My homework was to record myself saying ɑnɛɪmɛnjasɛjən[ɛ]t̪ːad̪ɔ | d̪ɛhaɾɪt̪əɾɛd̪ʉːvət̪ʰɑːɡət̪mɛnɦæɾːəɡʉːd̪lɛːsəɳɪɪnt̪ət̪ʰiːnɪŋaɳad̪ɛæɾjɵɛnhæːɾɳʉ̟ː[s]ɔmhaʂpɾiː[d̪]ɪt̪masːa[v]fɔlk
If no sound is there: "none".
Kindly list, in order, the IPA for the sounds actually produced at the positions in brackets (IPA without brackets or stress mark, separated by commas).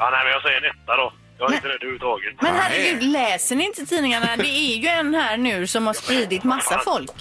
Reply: ɛ, s, d̪, none